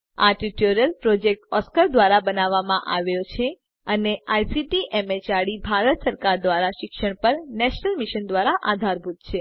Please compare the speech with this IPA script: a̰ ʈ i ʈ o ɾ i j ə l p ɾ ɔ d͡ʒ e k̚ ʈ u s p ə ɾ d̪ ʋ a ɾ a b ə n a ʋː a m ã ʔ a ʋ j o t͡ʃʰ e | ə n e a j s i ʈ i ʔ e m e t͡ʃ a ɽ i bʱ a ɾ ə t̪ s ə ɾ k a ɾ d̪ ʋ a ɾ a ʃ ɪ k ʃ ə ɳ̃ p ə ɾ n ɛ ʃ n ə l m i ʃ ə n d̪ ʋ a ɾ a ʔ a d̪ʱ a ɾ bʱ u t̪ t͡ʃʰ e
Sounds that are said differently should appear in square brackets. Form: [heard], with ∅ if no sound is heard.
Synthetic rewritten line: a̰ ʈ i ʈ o ɾ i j ə l p ɾ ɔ d͡ʒ e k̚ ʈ [ɔ] s [k] ə ɾ d̪ ʋ a ɾ a b ə n a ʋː a m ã ʔ a ʋ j o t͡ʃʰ e | ə n e a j s i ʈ i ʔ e m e t͡ʃ a ɽ i bʱ a ɾ ə t̪ s ə ɾ k a ɾ d̪ ʋ a ɾ a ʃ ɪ k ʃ ə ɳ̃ p ə ɾ n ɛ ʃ n ə l m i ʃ ə n d̪ ʋ a ɾ a ʔ a d̪ʱ a ɾ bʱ u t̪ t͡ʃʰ e

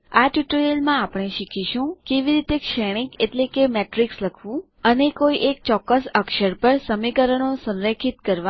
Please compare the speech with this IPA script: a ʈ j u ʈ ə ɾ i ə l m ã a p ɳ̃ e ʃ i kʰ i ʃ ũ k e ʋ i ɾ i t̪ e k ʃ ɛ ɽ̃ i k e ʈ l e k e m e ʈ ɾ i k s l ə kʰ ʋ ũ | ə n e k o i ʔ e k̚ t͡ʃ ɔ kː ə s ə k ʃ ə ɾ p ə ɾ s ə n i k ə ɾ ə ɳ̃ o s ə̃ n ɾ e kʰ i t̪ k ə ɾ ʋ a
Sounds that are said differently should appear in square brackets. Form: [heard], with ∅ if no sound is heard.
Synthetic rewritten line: a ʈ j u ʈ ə ɾ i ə l m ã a p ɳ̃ e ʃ i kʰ i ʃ ũ k e ʋ i ɾ i t̪ e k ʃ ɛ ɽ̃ i k e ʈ l e k e m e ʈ ɾ i k s l ə kʰ ʋ ũ | ə n e k o i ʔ e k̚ t͡ʃ ɔ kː ə s ə k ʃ ə ɾ p ə ɾ s ə [m] i k ə ɾ ə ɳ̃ o s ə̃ n ɾ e kʰ i t̪ k ə ɾ ʋ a

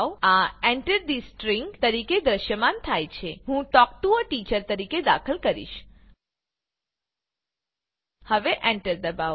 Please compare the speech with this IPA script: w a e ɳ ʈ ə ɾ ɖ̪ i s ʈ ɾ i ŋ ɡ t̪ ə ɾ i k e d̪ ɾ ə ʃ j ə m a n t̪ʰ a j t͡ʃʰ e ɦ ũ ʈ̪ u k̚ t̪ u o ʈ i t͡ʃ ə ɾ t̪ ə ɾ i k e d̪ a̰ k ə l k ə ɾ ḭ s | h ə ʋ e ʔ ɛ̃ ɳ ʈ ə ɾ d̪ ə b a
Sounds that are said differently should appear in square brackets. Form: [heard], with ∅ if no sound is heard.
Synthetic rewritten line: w a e ɳ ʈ ə ɾ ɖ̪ i s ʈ ɾ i ŋ ɡ t̪ ə ɾ i k e d̪ ɾ ə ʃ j ə m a n t̪ʰ a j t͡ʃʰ e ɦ ũ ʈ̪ [ɔ] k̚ t̪ u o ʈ i t͡ʃ ə ɾ t̪ ə ɾ i k e d̪ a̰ [kʰ] ə l k ə ɾ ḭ [ʃ] | h ə ʋ e ʔ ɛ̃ ɳ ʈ ə ɾ d̪ ə b a

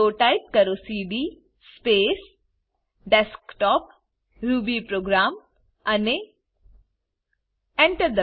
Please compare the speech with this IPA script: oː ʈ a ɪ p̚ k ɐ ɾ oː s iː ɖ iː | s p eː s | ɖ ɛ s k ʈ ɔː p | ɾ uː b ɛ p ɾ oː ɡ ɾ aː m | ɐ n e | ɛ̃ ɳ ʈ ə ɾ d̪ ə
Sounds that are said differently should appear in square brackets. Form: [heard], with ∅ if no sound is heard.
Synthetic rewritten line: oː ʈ a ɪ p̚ k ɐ ɾ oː s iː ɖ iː | s p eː s | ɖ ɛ s k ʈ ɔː p | ɾ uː b [i] p ɾ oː ɡ ɾ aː m | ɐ n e | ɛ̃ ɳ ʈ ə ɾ d̪ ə

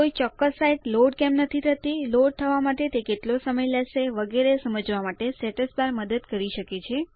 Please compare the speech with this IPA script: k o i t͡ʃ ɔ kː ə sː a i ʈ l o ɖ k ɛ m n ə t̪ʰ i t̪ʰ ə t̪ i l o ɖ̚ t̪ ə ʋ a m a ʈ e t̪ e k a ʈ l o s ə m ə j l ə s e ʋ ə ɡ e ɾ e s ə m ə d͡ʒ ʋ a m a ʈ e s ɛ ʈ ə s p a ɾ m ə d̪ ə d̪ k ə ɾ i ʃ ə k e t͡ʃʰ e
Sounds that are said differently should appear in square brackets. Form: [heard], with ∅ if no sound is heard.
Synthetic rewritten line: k o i t͡ʃ ɔ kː ə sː a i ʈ l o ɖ k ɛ m n ə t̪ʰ i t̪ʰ ə t̪ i l o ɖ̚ [t̪ʰ] ə ʋ a m a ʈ e t̪ e k [e] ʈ l o s ə m ə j l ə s e ʋ ə ɡ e ɾ e s ə m ə d͡ʒ ʋ a m a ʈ e s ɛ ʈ ə s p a ɾ m ə d̪ ə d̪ k ə ɾ i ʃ ə k e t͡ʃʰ e

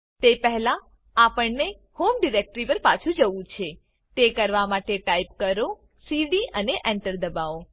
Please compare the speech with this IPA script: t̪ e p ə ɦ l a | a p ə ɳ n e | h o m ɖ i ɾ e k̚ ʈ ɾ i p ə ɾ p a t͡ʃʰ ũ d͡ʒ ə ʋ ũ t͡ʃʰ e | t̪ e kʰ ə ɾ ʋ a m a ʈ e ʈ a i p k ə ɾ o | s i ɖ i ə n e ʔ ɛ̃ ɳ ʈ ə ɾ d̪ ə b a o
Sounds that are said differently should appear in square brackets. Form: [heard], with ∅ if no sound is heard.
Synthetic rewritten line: t̪ e p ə ɦ l a | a p ə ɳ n e | h o m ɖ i ɾ e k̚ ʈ ɾ i p ə ɾ p a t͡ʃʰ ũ d͡ʒ ə ʋ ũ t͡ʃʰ e | t̪ e [k] ə ɾ ʋ a m a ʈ e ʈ a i p k ə ɾ o | s i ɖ i ə n e ʔ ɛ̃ ɳ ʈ ə ɾ d̪ ə b a o

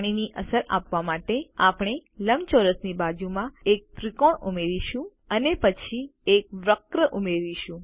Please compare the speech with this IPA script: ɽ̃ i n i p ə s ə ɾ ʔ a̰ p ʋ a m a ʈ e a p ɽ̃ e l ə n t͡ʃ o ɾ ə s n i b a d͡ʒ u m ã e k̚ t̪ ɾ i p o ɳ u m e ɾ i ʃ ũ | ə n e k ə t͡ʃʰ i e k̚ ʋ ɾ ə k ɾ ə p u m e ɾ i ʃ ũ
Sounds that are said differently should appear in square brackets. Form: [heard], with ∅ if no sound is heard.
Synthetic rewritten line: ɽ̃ i n i [ʔ] ə s ə ɾ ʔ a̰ p ʋ a m a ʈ e a p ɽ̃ e l ə [m] t͡ʃ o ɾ ə s n i b a d͡ʒ u m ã e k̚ t̪ ɾ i [k] o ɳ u m e ɾ i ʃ ũ | ə n e [p] ə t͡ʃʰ i e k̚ ʋ ɾ ə k ɾ ə [ʔ] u m e ɾ i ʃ ũ

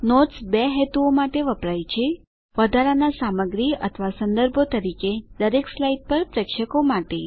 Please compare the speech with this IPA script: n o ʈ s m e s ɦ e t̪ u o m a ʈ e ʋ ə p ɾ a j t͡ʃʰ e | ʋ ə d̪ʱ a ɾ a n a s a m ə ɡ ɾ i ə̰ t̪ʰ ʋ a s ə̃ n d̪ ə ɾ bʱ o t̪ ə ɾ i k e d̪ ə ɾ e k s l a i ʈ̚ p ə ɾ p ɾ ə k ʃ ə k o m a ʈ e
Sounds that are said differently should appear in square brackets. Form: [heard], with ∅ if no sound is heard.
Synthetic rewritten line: n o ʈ s [b] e [∅] ɦ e t̪ u o m a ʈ e ʋ ə p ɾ a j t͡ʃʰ e | ʋ ə d̪ʱ a ɾ a n a s a m ə ɡ ɾ i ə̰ t̪ʰ ʋ a s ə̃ n d̪ ə ɾ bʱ o t̪ ə ɾ i k e d̪ ə ɾ e k s l a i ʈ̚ p ə ɾ p ɾ ə k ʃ ə k o m a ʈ e

